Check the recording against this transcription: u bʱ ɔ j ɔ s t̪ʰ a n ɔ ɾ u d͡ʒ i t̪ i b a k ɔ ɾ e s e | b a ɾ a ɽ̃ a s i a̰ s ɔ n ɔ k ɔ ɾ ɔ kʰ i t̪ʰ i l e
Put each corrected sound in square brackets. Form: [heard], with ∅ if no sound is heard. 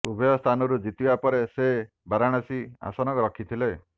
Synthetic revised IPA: u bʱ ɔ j ɔ s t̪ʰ a n ɔ ɾ u d͡ʒ i t̪ i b a [p] ɔ ɾ e s e | b a ɾ a ɽ̃ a s i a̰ s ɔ n ɔ k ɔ ɾ ɔ kʰ i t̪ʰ i l e

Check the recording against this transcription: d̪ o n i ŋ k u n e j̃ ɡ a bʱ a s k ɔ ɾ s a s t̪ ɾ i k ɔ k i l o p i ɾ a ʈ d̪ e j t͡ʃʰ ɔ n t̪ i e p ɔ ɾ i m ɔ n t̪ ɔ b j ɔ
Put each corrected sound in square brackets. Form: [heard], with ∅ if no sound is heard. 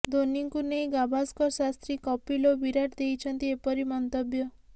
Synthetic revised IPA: d̪ o n i ŋ k u n e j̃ ɡ a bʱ a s k ɔ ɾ s a s t̪ ɾ i k ɔ [p] i l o [b] i ɾ a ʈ d̪ e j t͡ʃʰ ɔ n t̪ i e p ɔ ɾ i m ɔ n t̪ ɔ b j ɔ

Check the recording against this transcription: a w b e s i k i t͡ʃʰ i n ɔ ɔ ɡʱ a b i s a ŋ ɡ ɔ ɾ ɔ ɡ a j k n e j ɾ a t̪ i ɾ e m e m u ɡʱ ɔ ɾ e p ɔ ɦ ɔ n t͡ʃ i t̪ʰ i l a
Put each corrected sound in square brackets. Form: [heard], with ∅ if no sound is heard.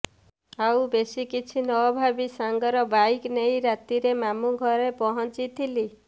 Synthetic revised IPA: a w b e s i k i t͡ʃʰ i n ɔ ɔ [bʱ] a b i s a ŋ ɡ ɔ ɾ ɔ [b] a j k n e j ɾ a t̪ i ɾ e m [a] m u ɡʱ ɔ ɾ e p ɔ ɦ ɔ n t͡ʃ i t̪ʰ i l [i]

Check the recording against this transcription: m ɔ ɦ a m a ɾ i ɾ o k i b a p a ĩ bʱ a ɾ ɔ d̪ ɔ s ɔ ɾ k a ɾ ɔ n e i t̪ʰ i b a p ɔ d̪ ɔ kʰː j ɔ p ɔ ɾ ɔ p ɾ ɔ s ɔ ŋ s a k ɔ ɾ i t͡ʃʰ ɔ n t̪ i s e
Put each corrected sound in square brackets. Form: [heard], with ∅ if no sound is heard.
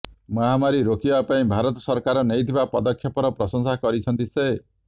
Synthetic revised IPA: m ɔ ɦ a m a ɾ i ɾ o k i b a p a ĩ bʱ a ɾ ɔ [t̪] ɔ s ɔ ɾ k a ɾ ɔ n e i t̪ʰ i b a p ɔ d̪ ɔ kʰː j ɔ p ɔ ɾ ɔ p ɾ ɔ s ɔ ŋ s a k ɔ ɾ i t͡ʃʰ ɔ n t̪ i s e

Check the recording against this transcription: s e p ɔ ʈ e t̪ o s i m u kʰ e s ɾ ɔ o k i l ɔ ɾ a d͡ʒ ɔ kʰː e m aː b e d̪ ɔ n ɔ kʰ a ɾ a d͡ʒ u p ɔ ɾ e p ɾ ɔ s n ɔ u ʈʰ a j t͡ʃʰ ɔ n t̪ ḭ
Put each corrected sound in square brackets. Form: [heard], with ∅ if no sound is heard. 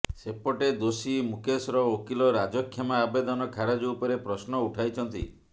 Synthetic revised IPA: s e p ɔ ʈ e [d̪] o s i m u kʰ e s ɾ ɔ o k i l ɔ ɾ a d͡ʒ ɔ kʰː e m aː b e d̪ ɔ n ɔ kʰ a ɾ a d͡ʒ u p ɔ ɾ e p ɾ ɔ s n ɔ u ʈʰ a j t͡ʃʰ ɔ n t̪ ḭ

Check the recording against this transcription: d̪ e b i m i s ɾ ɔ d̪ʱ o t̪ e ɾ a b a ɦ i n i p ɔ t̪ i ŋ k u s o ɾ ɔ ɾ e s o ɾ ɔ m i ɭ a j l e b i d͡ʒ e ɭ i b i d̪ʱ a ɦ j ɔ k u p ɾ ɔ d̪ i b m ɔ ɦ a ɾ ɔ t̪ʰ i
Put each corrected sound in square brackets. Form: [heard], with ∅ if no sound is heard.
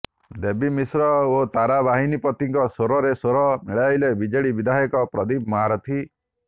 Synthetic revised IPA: d̪ e b i m i s ɾ ɔ [∅] o t̪ [a] ɾ a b a ɦ i n i p ɔ t̪ i ŋ k [ɔ] s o ɾ ɔ ɾ e s o ɾ ɔ m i ɭ a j l e b i d͡ʒ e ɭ i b i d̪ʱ a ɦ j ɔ k [ɔ] p ɾ ɔ d̪ i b m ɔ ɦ a ɾ ɔ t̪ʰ i

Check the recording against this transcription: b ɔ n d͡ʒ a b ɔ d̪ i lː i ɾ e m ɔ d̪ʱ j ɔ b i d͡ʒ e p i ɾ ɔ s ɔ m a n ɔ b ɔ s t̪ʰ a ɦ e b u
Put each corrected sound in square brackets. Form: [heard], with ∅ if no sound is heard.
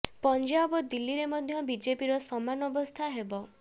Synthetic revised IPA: [p] ɔ n d͡ʒ a b ɔ d̪ i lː i ɾ e m ɔ d̪ʱ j ɔ b i d͡ʒ e p i ɾ ɔ s ɔ m a n ɔ b ɔ s t̪ʰ a ɦ e b [ɔ]

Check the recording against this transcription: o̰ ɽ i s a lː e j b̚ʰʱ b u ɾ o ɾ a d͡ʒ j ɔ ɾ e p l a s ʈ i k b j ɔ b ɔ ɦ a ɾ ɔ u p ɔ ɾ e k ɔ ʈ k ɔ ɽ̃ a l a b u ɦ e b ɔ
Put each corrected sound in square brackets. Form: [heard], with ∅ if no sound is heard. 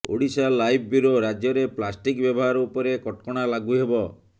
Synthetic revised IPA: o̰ ɽ i s a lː [a] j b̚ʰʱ b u ɾ o ɾ a d͡ʒ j ɔ ɾ e p l a s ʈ i k b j ɔ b ɔ ɦ a ɾ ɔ u p ɔ ɾ e k ɔ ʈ k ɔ ɽ̃ a l a [ɡ] u ɦ e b ɔ

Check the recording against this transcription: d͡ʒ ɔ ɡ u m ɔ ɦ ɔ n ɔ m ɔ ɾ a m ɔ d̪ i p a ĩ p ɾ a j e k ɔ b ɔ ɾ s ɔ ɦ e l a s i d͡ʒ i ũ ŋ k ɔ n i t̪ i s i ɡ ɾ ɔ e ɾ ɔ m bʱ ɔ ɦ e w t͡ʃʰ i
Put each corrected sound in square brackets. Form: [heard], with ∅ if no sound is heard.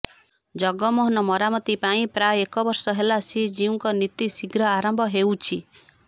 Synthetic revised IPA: d͡ʒ ɔ ɡ [ɔ] m ɔ ɦ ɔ n ɔ m ɔ ɾ a m ɔ [t̪] i p a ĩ p ɾ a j e k ɔ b ɔ ɾ s ɔ ɦ e l a s i d͡ʒ i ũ ŋ k ɔ n i t̪ i s i ɡ ɾ ɔ [a] ɾ ɔ m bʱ ɔ ɦ e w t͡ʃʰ i

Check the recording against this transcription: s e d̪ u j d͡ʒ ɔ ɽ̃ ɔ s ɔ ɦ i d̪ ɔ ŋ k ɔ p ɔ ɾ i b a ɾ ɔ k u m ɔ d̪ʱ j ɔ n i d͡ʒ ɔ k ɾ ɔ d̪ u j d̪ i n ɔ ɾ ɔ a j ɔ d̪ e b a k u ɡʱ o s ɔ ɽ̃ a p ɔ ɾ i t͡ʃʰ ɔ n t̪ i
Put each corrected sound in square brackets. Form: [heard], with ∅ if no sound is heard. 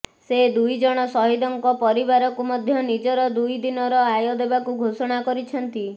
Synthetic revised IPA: s e d̪ u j d͡ʒ ɔ ɽ̃ ɔ s ɔ ɦ i d̪ ɔ ŋ k ɔ p ɔ ɾ i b a ɾ ɔ k u m ɔ d̪ʱ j ɔ n i d͡ʒ ɔ [∅] ɾ ɔ d̪ u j d̪ i n ɔ ɾ ɔ a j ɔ d̪ e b a k u ɡʱ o s ɔ ɽ̃ a [k] ɔ ɾ i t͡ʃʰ ɔ n t̪ i

